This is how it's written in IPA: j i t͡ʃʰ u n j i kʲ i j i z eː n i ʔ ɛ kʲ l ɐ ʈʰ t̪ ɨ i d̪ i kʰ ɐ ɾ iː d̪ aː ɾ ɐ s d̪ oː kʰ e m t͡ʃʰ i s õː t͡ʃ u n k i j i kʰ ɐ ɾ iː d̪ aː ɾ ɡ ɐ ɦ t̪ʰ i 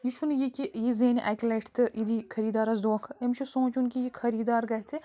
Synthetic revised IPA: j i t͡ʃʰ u n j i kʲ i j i z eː n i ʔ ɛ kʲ l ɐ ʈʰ t̪ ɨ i d̪ i kʰ ɐ ɾ iː d̪ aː ɾ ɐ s d̪ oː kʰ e m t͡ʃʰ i s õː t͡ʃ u n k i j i kʰ ɐ ɾ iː d̪ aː ɾ ɡ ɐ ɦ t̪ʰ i